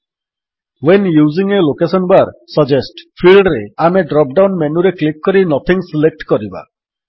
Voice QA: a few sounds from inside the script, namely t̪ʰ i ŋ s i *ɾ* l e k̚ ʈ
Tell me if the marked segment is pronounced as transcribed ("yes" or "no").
no